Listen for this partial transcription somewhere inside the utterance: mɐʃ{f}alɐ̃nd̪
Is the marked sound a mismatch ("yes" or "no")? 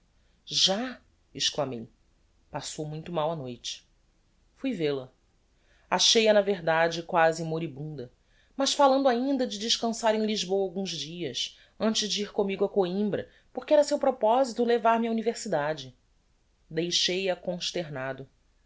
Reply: no